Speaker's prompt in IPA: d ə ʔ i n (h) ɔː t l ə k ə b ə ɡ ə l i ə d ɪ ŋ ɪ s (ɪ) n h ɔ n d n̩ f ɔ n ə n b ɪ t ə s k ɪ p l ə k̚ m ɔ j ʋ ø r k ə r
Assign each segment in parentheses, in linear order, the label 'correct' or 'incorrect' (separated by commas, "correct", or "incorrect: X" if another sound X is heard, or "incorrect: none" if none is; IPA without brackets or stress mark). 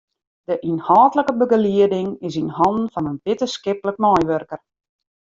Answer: correct, incorrect: i